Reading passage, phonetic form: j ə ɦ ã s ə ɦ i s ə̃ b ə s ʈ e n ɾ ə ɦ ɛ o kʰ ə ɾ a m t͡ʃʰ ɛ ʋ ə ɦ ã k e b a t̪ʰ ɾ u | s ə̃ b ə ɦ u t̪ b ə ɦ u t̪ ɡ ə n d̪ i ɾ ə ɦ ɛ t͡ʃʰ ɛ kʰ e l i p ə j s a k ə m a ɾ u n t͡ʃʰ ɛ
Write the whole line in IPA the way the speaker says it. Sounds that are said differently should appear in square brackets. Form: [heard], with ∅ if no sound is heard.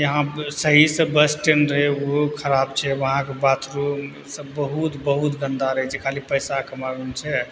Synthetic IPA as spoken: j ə ɦ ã s ə ɦ i s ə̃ b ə s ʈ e n ɾ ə ɦ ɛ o kʰ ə ɾ a [b] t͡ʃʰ ɛ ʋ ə ɦ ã k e b a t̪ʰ ɾ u | s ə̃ b ə ɦ u t̪ b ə ɦ u t̪ ɡ ə n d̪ [a] ɾ ə ɦ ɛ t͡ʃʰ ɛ kʰ [a] l i p ə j s a k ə m a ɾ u n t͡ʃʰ ɛ

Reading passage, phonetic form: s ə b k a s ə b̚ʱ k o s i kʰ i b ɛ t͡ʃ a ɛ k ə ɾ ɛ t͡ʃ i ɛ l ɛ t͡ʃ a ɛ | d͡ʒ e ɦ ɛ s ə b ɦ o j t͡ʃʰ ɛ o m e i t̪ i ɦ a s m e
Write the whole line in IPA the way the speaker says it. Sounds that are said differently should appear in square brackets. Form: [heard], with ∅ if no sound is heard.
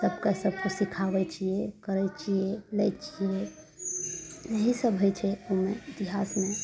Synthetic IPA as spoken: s ə b k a s ə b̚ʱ k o s i kʰ [a] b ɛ t͡ʃ [i] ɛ k ə ɾ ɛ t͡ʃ i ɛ l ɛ t͡ʃ [i] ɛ | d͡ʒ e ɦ [i] s ə b ɦ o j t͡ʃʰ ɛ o m e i t̪ i ɦ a s m e

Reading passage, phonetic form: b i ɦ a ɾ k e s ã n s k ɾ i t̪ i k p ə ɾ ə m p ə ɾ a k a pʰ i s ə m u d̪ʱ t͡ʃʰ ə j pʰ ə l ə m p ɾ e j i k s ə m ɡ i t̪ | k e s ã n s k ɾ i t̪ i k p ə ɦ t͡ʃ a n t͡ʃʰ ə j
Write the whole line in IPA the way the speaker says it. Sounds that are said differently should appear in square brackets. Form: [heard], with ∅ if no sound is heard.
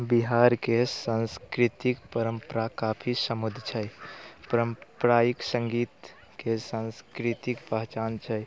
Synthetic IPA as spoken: b i ɦ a ɾ k e s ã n s k ɾ i t̪ i k p ə ɾ ə m p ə ɾ a k a pʰ i s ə m u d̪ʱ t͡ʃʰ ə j [p] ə [ɾ] ə m p ɾ [a] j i k s ə [ŋ] ɡ i t̪ | k e s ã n s k ɾ i t̪ i k p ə ɦ t͡ʃ a n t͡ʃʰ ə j

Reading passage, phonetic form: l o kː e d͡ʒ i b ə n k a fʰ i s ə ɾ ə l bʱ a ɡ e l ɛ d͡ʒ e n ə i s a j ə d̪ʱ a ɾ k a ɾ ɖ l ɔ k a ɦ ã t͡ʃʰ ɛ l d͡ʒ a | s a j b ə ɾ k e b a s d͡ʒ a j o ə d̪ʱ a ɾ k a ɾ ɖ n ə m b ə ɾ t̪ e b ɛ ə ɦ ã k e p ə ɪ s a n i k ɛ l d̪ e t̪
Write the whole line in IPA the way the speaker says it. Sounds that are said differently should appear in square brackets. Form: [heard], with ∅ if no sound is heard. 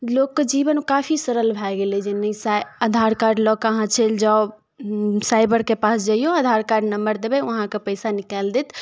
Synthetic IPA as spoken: l o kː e d͡ʒ i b ə n k a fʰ i s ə ɾ ə l bʱ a ɡ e l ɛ d͡ʒ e n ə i s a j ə d̪ʱ a ɾ k a ɾ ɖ l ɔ k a ɦ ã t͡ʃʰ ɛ l d͡ʒ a | s a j b ə ɾ k e [p] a s d͡ʒ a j o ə d̪ʱ a ɾ k a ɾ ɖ n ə m b ə ɾ [d̪] e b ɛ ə ɦ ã k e p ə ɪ s a n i k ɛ l d̪ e t̪

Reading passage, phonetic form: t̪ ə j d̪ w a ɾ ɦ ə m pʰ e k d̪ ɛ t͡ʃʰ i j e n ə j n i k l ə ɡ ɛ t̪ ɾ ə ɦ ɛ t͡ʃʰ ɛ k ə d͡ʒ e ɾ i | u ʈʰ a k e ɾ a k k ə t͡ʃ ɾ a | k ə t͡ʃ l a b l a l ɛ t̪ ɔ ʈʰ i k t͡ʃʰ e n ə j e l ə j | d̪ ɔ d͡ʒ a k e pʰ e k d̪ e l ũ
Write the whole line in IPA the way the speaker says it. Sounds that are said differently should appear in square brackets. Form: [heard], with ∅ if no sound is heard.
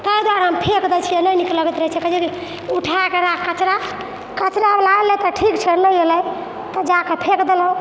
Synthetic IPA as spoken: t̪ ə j d̪ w a ɾ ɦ ə m pʰ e k d̪ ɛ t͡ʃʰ i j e n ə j n i k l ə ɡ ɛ t̪ ɾ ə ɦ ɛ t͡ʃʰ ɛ k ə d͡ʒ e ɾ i | u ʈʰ a k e ɾ a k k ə t͡ʃ ɾ a | k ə t͡ʃ [ɾ] a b l a l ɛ t̪ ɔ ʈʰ i k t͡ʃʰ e n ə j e l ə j | [t̪] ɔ d͡ʒ a k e pʰ e k d̪ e l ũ

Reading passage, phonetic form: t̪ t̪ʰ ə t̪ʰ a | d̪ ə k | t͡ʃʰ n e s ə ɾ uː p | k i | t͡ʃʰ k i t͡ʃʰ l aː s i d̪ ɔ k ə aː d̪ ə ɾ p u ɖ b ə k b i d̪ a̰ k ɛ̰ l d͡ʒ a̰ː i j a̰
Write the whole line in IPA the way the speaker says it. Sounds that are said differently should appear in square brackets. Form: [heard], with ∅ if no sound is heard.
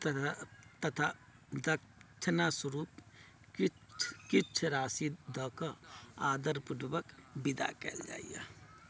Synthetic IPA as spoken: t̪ [t̪] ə t̪ʰ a | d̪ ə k | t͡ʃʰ n [a] s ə ɾ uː p | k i | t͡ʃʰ k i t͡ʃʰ [ɾ] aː s i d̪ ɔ k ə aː d̪ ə ɾ p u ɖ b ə k b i d̪ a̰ k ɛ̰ l d͡ʒ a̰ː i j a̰

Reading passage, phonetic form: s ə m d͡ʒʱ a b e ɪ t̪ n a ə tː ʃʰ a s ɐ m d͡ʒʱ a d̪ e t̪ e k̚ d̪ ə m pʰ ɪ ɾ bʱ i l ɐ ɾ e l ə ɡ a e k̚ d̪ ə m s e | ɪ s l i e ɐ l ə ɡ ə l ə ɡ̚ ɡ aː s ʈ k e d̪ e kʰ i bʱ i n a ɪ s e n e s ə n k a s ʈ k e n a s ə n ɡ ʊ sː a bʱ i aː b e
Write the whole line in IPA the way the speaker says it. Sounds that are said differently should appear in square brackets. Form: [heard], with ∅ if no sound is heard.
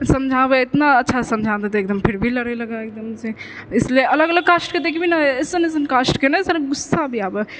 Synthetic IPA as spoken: s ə m d͡ʒʱ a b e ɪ t̪ n a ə tː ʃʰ a s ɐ m d͡ʒʱ a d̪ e t̪ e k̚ d̪ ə m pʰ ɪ ɾ bʱ i l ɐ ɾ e l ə ɡ a e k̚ d̪ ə m s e | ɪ s l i e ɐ l ə ɡ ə l ə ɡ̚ [k] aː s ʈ k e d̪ e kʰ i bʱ i n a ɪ s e n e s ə n k a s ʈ k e n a s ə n ɡ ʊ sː a bʱ i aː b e

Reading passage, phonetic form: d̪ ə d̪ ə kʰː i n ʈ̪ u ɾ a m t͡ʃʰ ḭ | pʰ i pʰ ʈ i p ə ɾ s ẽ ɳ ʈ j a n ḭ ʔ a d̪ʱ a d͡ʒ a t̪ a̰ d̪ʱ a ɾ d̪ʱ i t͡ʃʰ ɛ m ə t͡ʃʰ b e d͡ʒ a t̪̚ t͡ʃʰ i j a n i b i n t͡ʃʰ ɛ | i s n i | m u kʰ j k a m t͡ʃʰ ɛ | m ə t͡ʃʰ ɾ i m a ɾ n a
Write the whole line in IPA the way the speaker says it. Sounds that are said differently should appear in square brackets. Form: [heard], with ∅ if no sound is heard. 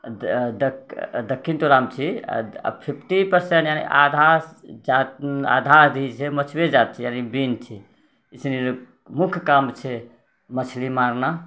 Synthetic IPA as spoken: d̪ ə d̪ ə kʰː i n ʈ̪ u ɾ a m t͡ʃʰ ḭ | pʰ i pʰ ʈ i p ə ɾ s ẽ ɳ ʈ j a n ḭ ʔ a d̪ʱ a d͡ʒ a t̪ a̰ d̪ʱ a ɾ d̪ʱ i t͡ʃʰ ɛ m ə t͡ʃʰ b e d͡ʒ a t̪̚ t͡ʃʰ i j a n i b i n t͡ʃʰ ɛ | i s n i | m u kʰ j k a m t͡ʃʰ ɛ | m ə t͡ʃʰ [l] i m a ɾ n a

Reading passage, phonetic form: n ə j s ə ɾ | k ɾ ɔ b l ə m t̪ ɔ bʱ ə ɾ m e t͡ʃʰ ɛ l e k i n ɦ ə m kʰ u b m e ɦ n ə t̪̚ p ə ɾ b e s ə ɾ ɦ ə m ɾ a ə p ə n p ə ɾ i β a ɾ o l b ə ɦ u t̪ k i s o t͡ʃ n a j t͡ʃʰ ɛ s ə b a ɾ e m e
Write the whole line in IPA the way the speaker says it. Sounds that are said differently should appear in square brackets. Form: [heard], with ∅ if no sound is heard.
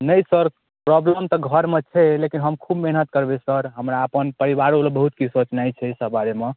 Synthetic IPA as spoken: n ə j s ə ɾ | [p] ɾ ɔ b l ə m t̪ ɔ [ɡʱ] ə ɾ m e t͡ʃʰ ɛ l e k i n ɦ ə m kʰ u b m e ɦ n ə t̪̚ [k] ə ɾ b e s ə ɾ ɦ ə m ɾ a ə p ə n p ə ɾ i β a ɾ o l b ə ɦ u t̪ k i s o t͡ʃ n a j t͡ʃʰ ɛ s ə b a ɾ e m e

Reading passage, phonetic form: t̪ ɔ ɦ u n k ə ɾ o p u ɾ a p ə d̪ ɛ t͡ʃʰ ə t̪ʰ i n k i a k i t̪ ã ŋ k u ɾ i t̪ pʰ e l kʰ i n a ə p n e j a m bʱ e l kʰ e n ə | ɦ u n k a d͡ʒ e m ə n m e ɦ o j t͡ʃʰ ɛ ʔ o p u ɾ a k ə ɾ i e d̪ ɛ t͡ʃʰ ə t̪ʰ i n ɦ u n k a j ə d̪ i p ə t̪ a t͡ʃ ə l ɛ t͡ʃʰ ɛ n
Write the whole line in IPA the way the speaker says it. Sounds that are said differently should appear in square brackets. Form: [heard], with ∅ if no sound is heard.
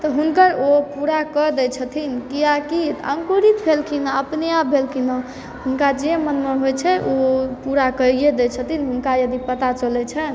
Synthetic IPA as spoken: t̪ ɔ ɦ u n k ə ɾ o p u ɾ a [k] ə d̪ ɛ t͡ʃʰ ə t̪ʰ i n k i a k i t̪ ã ŋ k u ɾ i t̪ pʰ e l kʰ i n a ə p n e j a [∅] bʱ e l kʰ [i] n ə | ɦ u n k a d͡ʒ e m ə n m e ɦ o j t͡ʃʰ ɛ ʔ o p u ɾ a k ə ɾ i e d̪ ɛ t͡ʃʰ ə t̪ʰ i n ɦ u n k a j ə d̪ i p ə t̪ a t͡ʃ ə l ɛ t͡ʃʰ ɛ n

